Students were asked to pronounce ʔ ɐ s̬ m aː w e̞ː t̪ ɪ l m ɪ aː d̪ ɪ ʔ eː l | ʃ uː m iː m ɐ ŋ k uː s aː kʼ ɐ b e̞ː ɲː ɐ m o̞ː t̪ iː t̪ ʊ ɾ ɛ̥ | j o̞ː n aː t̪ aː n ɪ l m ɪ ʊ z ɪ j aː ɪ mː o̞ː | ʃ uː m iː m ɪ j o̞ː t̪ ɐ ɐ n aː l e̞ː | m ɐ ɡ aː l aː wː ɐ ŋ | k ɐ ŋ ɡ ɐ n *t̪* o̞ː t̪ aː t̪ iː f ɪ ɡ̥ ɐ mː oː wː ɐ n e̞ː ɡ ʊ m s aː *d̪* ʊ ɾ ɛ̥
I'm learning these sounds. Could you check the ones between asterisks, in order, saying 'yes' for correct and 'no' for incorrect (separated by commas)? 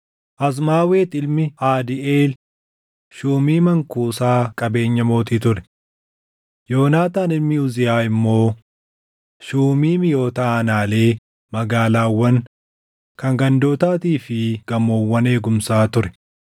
no, no